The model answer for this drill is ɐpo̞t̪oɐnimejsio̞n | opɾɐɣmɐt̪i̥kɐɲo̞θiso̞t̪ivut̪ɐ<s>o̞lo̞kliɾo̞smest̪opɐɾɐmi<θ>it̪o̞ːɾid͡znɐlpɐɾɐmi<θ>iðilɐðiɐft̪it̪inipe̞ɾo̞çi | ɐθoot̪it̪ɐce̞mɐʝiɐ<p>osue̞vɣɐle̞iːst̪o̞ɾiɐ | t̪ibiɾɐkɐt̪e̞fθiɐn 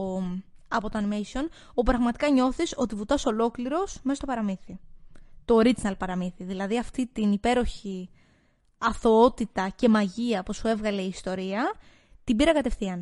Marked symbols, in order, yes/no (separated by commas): yes, yes, yes, yes